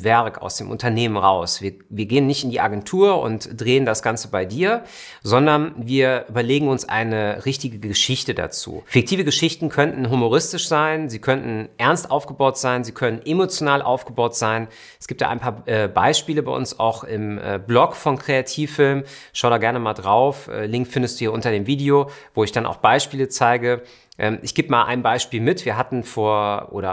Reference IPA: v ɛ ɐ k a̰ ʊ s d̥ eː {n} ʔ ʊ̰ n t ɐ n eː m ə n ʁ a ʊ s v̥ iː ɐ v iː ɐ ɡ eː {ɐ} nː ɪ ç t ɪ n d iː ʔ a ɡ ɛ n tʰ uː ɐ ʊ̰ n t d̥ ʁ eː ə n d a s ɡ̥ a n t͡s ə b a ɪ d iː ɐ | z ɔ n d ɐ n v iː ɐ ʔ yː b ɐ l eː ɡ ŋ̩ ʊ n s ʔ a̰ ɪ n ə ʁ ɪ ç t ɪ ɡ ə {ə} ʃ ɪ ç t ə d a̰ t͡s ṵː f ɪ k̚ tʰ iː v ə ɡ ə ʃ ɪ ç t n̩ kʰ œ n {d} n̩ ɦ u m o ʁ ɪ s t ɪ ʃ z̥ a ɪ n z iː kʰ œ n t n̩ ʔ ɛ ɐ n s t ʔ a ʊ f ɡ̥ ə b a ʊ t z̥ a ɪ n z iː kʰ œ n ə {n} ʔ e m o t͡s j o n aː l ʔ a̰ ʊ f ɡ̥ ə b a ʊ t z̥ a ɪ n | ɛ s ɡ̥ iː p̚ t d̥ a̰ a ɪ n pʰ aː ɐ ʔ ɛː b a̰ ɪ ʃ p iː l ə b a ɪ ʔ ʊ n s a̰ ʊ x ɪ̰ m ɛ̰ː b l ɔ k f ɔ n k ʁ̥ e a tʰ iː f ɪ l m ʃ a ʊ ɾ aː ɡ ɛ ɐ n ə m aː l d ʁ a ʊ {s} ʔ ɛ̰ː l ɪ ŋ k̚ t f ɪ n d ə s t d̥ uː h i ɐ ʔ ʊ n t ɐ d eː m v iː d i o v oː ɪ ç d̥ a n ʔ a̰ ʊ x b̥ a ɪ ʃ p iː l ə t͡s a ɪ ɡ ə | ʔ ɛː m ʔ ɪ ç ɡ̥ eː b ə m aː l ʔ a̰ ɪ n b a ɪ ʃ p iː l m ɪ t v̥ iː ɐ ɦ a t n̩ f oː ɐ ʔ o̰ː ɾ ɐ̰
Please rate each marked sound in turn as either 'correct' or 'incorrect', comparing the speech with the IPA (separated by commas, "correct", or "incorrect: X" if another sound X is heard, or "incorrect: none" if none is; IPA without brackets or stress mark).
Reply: incorrect: m, incorrect: ə, correct, incorrect: t, correct, incorrect: f